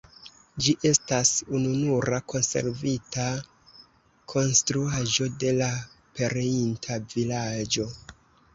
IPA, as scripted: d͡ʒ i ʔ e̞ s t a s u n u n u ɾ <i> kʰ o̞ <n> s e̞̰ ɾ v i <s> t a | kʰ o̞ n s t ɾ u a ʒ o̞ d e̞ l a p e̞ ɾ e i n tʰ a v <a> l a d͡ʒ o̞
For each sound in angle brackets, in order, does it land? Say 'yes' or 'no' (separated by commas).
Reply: no, yes, no, no